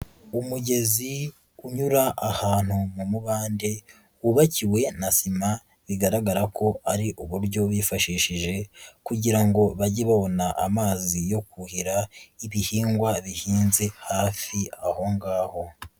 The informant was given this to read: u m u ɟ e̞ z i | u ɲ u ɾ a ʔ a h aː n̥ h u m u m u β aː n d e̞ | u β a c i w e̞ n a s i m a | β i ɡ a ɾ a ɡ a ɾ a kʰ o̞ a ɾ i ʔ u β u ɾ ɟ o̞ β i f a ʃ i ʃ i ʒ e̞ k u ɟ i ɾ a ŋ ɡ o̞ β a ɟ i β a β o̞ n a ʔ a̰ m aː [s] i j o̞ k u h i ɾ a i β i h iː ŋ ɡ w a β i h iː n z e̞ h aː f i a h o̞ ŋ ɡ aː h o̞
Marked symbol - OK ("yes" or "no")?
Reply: no